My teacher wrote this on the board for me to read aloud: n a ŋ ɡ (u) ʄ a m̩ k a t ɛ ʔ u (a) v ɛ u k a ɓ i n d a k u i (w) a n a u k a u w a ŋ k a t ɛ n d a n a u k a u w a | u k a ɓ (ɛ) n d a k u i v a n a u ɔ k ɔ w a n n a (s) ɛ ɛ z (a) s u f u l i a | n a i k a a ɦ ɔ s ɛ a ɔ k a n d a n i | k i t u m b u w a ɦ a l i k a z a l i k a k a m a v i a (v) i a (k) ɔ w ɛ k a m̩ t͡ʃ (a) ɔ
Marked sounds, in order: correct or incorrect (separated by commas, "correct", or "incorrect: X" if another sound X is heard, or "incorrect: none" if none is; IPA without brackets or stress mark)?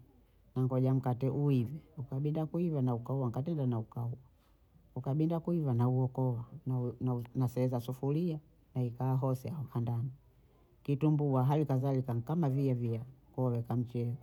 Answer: incorrect: ɔ, incorrect: i, incorrect: v, incorrect: i, correct, correct, correct, correct, incorrect: ɛ